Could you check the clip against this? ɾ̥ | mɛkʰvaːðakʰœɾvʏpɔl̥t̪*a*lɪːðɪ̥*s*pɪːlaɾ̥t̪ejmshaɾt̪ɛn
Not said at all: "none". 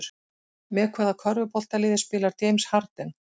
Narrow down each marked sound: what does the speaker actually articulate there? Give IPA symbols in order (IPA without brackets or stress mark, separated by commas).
a, s